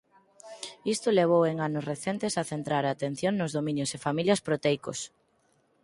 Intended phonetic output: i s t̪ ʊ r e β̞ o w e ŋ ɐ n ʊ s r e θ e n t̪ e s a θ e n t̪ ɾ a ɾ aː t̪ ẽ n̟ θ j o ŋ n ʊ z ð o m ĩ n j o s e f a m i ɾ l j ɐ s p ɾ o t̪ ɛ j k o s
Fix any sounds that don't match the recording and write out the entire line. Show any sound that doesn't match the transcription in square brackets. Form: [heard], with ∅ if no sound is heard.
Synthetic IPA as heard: i s t̪ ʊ [l] e β̞ o w e ŋ [a] n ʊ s r e θ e n t̪ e s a θ e n t̪ ɾ a ɾ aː t̪ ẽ n̟ θ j o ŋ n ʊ z ð o m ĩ n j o s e f a m i [∅] l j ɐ s p ɾ o t̪ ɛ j k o s